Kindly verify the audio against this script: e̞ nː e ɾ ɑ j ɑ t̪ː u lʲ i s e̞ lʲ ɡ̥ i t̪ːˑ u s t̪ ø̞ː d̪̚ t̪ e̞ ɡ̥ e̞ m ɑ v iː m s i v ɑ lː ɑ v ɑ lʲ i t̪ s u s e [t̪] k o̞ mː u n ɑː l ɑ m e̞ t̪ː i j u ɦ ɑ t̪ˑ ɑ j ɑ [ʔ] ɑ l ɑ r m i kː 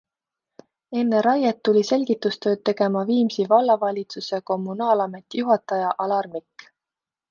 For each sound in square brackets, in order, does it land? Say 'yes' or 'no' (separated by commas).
no, yes